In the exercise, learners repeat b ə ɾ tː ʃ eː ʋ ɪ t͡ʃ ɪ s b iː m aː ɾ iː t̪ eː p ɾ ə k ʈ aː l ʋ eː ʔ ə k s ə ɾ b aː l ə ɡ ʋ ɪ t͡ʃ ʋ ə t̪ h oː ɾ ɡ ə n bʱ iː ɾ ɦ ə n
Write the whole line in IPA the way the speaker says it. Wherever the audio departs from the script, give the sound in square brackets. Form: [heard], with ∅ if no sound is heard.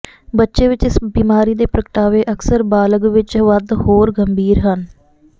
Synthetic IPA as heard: b ə [∅] tː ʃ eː ʋ ɪ t͡ʃ ɪ s b iː m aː ɾ iː [d̪] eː p ɾ ə k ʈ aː [∅] ʋ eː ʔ ə k s ə ɾ b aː l ə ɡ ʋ ɪ t͡ʃ ʋ ə [d̪] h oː ɾ ɡ ə [m] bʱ iː ɾ ɦ ə n